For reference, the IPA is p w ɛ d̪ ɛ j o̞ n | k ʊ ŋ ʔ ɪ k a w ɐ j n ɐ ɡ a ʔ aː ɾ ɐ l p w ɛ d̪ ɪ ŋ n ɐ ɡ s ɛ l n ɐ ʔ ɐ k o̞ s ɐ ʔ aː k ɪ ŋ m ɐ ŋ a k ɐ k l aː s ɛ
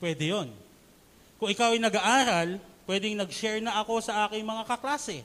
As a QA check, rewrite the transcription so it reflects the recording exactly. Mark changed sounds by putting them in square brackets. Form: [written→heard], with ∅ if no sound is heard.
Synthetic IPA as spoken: p w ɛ d̪ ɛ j o̞ n | k ʊ ŋ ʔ ɪ k a w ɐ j n ɐ ɡ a ʔ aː ɾ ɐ l p w ɛ d̪ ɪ ŋ n ɐ ɡ [s→ʃ] ɛ [l→ɹ] n ɐ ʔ ɐ k o̞ s ɐ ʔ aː k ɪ ŋ m ɐ ŋ a k ɐ k l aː s ɛ